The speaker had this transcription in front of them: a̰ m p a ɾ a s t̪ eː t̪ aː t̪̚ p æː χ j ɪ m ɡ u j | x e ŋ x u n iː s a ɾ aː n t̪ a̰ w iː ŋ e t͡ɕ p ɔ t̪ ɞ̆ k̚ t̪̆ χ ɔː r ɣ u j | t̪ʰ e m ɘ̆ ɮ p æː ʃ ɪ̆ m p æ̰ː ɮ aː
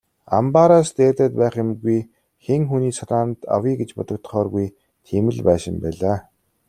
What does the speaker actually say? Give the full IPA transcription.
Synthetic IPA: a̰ m p a ɾ a s t̪ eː t̪ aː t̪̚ p æː χ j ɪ m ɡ u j | x e ŋ x u n iː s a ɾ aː n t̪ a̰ w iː ɡ e t͡ɕ p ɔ t̪ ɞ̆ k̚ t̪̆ χ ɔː r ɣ u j | t̪ʰ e m ɘ̆ ɮ p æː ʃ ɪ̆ m p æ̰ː ɮ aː